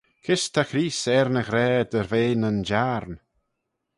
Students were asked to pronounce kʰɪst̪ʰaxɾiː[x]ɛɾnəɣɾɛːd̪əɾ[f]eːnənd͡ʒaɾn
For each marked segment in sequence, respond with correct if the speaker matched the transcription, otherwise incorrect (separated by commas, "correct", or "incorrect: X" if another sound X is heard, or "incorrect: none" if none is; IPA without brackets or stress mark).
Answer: incorrect: s, incorrect: v